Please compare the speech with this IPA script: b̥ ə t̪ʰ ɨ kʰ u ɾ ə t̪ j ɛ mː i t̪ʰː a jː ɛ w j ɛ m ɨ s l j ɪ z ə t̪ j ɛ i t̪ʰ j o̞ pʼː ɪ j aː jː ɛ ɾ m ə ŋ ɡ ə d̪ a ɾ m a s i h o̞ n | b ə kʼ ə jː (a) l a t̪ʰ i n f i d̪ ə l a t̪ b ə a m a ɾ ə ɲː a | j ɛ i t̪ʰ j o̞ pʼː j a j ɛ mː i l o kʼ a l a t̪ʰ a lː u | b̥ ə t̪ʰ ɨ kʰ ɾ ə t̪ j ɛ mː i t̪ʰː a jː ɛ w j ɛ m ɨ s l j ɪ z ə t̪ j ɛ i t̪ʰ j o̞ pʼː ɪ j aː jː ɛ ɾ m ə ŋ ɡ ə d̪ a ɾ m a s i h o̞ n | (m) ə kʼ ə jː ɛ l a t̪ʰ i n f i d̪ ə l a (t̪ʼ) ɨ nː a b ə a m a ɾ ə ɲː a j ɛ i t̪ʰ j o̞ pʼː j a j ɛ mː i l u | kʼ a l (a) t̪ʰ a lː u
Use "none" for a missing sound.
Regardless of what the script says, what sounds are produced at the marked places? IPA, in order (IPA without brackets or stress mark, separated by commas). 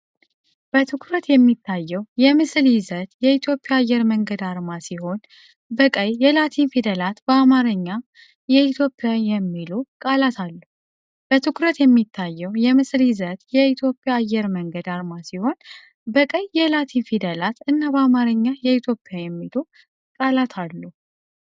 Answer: ɛ, b, t̪, a